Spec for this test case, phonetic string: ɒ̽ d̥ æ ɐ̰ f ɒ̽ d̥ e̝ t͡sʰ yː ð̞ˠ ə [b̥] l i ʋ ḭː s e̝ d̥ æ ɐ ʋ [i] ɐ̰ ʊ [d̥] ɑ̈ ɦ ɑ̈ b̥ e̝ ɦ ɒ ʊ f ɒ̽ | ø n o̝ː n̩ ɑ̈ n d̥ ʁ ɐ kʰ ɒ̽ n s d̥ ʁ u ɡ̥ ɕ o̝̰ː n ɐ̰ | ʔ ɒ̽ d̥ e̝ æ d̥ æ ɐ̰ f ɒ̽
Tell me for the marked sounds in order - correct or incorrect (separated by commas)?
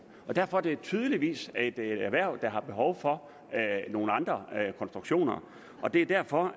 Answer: incorrect, incorrect, correct